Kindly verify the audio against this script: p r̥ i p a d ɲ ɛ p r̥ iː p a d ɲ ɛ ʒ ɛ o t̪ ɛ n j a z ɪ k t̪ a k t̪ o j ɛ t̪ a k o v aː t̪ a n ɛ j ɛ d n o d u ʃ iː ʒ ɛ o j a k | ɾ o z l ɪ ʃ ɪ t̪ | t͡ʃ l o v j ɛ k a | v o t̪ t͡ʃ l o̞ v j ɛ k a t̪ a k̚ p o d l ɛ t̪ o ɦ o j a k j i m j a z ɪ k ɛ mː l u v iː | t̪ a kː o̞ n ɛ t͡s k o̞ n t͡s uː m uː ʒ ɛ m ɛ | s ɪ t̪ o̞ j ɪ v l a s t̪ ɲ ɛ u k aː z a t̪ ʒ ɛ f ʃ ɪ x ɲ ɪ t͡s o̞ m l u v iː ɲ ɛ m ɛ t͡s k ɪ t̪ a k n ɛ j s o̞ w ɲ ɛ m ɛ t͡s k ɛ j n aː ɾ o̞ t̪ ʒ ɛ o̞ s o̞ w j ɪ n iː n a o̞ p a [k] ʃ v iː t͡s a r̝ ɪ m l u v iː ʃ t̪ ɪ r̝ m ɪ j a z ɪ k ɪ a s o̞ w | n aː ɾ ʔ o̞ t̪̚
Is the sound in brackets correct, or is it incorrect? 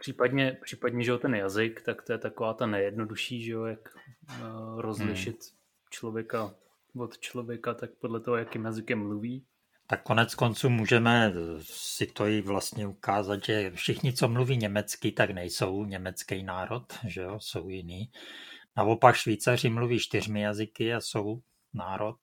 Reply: correct